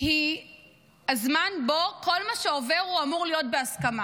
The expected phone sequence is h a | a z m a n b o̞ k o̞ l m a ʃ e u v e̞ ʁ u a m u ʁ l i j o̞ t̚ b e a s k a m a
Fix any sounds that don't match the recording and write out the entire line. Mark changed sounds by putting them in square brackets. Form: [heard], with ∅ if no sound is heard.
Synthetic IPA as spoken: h [i] | a z m a n b o̞ k o̞ l m a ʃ e [o] v e̞ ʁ u a m u ʁ l i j o̞ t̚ b e a s k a m a